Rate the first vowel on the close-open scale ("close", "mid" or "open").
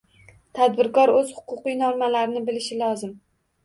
open